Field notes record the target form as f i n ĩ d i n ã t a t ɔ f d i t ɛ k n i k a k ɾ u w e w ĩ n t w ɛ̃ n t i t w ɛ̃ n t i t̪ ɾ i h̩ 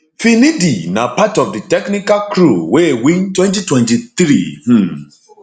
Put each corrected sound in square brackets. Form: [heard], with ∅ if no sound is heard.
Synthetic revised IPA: f i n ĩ d i n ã [p] a t ɔ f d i t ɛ k n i k a k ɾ u w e w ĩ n t w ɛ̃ n t i t w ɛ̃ n t i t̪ ɾ i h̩